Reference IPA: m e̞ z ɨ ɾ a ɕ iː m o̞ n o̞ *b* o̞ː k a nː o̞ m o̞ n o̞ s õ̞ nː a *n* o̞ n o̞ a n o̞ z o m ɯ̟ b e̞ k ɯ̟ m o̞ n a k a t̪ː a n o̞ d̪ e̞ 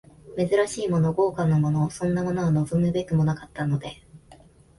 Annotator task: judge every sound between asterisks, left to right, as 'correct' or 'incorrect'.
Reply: incorrect: ɡ, incorrect: m

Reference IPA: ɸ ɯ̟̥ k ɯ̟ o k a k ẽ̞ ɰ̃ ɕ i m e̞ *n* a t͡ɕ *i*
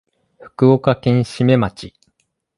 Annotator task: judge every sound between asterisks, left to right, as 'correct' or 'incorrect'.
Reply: incorrect: m, correct

